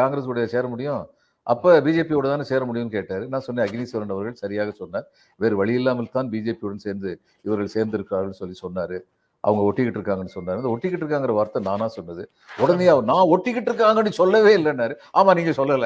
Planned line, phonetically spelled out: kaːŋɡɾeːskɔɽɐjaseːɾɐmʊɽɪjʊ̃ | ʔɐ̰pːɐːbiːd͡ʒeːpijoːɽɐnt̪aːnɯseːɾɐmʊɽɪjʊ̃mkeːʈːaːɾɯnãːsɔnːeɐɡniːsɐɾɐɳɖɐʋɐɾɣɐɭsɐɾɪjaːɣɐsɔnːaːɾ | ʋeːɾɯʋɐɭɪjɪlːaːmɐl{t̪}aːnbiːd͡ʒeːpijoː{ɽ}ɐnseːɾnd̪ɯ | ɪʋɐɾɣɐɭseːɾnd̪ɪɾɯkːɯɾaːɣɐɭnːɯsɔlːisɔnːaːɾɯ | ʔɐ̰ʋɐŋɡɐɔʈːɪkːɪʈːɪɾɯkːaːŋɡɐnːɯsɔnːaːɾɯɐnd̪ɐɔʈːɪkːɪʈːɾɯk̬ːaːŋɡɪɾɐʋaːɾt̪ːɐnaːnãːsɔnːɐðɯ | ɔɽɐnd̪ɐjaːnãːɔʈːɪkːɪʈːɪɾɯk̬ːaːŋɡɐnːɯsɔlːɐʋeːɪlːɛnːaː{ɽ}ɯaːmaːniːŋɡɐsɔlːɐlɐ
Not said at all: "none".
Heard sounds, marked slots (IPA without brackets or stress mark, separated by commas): t̪, ɽ, ɾ